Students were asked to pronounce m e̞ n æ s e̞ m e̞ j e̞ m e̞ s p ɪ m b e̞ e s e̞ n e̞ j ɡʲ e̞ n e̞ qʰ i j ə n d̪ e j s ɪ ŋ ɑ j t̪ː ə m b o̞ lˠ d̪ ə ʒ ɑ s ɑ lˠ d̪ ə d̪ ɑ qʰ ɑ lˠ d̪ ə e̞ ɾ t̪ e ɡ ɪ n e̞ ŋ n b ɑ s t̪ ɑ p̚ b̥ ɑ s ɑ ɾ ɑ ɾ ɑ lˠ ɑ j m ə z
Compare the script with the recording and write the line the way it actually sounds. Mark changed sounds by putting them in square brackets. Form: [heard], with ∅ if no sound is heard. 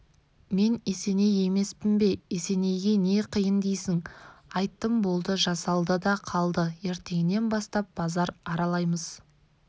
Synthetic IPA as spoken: m e̞ n [e] s e̞ [n] e̞ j e̞ m e̞ s p ɪ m b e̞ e s e̞ n e̞ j ɡʲ e̞ n e̞ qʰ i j ə n d̪ e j s ɪ ŋ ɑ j t̪ː ə m b o̞ lˠ d̪ ə ʒ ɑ s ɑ lˠ d̪ ə d̪ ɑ qʰ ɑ lˠ d̪ ə e̞ ɾ t̪ e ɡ ɪ n e̞ [∅] n b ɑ s t̪ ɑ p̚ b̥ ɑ [z] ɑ ɾ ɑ ɾ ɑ lˠ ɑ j m ə z

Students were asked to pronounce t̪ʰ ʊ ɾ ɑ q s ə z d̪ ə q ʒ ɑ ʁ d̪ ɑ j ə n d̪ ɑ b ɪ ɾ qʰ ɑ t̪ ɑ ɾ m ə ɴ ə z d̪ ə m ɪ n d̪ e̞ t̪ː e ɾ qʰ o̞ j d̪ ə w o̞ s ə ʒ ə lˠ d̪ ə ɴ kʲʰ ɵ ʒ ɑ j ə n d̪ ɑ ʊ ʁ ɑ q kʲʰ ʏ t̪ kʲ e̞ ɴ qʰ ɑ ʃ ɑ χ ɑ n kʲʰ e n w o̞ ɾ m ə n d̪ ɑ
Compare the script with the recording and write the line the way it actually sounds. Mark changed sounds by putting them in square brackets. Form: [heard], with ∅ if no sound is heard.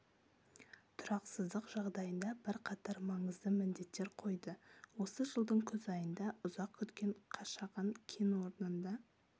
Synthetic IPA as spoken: t̪ʰ ʊ ɾ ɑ q s ə z d̪ ə q ʒ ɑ ʁ d̪ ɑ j ə n d̪ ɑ b ɪ ɾ qʰ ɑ t̪ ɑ ɾ m [ɑ] ɴ ə z d̪ ə m ɪ n d̪ e̞ t̪ː e ɾ qʰ o̞ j d̪ ə w o̞ s ə ʒ ə lˠ d̪ ə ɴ kʲʰ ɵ [z] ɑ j ə n d̪ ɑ ʊ [z] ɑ q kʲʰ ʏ t̪ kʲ e̞ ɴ qʰ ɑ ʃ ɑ [ʁ] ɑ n kʲʰ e n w o̞ ɾ [n] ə n d̪ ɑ

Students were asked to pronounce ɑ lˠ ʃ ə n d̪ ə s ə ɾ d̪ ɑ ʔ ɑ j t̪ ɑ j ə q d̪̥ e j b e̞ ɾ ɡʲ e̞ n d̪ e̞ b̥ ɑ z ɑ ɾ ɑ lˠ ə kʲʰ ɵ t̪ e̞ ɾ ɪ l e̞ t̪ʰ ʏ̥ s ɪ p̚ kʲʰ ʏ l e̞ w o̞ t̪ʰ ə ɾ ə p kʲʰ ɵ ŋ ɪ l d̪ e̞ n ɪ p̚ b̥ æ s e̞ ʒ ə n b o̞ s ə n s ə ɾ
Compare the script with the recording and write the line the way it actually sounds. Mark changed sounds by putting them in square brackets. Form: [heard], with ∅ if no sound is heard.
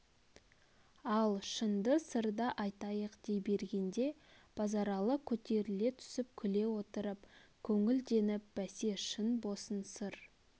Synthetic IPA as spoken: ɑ lˠ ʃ ə n d̪ ə s ə ɾ d̪ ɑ ʔ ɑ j t̪ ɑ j ə q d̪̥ e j b e̞ ɾ ɡʲ e̞ n d̪ e̞ b̥ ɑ z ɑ ɾ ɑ lˠ ə kʲʰ ɵ t̪ e̞ ɾ ɪ l e̞ t̪ʰ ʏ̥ s ɪ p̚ kʲʰ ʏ l e̞ w o̞ [t̪] ə ɾ ə p kʲʰ ɵ ŋ ɪ l d̪ e̞ n ɪ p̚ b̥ æ s e̞ [ʃ] ə n b o̞ s ə n s ə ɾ

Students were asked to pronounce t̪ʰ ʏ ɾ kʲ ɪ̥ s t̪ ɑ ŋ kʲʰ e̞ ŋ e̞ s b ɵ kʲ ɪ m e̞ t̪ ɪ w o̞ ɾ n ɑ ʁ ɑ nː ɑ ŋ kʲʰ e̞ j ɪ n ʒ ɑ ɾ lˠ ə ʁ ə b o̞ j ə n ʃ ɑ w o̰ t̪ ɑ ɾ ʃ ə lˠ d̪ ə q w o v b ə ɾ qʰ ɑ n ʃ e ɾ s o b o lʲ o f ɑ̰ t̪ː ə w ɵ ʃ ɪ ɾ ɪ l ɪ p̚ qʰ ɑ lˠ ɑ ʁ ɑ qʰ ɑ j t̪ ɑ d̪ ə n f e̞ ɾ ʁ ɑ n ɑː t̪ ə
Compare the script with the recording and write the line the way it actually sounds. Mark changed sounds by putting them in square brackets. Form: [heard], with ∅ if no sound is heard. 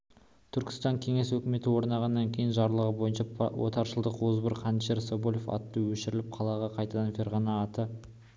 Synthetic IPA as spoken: t̪ʰ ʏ ɾ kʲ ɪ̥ s t̪ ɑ ŋ kʲʰ e̞ ŋ e̞ s [w] ɵ kʲ ɪ m e̞ t̪ ɪ w o̞ ɾ n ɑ ʁ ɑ nː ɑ ŋ kʲʰ e̞ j ɪ n ʒ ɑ ɾ lˠ ə ʁ ə b o̞ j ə n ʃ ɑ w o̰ t̪ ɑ ɾ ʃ ə lˠ d̪ ə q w o [z] b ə ɾ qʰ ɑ n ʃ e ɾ s o b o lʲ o f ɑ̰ t̪ː ə w ɵ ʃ ɪ ɾ ɪ l ɪ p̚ qʰ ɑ lˠ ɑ ʁ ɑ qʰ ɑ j t̪ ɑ d̪ [ɑ] n f e̞ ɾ ʁ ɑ n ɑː t̪ ə

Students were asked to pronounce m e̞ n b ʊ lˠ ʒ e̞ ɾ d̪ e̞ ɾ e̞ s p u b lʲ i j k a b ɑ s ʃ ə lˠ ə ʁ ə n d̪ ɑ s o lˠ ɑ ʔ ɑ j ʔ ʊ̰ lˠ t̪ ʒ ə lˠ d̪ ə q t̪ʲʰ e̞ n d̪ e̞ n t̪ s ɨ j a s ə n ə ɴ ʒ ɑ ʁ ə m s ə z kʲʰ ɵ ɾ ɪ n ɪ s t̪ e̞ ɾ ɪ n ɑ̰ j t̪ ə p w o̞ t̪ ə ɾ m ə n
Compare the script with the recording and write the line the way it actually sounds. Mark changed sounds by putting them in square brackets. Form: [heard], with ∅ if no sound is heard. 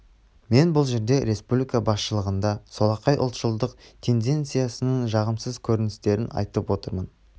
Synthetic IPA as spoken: m e̞ n b ʊ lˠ ʒ e̞ ɾ d̪ e̞ ɾ e̞ s p u b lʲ i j k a b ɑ s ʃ ə lˠ ə ʁ ə n d̪ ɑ s o lˠ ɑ [q] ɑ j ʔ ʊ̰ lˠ t̪ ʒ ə lˠ d̪ ə q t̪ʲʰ e̞ n d̪ e̞ n t̪ s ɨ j a s ə n ə ɴ ʒ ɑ ʁ ə m s ə z kʲʰ ɵ ɾ ɪ n ɪ s t̪ e̞ ɾ ɪ n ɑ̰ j t̪ ə p w o̞ t̪ ə ɾ m ə n

